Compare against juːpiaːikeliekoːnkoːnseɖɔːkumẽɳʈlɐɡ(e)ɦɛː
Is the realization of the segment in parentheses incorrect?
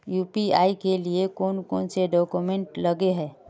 no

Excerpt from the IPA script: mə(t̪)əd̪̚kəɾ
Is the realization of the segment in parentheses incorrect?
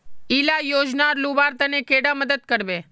yes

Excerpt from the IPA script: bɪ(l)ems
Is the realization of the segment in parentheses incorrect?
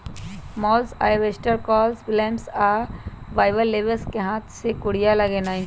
no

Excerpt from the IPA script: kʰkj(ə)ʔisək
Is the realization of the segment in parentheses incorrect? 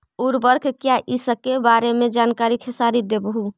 yes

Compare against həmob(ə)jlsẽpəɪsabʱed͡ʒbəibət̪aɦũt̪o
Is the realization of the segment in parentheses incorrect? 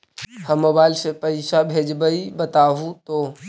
yes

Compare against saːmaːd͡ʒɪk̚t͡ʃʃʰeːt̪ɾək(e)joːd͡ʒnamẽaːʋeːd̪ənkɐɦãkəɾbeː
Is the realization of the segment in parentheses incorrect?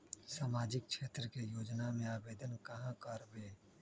no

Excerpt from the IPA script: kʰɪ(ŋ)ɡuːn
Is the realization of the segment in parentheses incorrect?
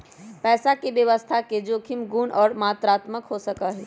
yes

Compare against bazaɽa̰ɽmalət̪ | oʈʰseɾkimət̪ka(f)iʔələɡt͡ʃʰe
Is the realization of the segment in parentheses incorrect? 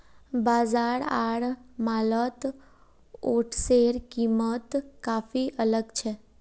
no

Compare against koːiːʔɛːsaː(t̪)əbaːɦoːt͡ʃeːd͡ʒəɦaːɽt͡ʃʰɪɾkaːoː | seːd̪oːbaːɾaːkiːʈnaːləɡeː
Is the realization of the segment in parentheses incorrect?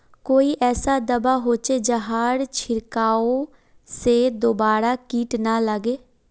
yes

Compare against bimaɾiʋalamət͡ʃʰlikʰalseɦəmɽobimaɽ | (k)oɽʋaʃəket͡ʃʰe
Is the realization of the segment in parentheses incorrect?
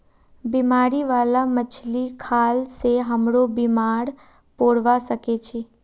yes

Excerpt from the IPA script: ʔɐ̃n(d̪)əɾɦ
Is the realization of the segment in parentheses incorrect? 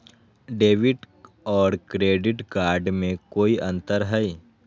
yes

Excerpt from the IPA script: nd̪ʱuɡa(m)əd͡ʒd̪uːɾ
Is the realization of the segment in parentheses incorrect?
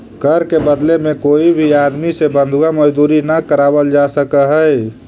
no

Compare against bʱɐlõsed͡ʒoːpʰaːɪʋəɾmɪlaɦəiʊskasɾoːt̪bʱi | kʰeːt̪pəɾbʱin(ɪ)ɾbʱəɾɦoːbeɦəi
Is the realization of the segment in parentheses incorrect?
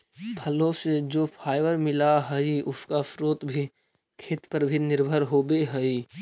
no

